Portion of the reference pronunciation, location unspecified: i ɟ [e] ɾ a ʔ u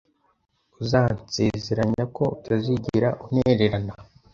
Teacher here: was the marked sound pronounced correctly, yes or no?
no